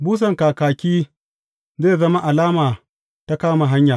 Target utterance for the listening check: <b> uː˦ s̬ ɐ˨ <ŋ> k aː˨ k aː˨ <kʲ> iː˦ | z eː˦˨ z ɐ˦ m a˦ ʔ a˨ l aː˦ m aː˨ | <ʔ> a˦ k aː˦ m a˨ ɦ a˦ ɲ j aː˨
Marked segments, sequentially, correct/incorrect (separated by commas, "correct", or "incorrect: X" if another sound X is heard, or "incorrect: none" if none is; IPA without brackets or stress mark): correct, correct, correct, incorrect: t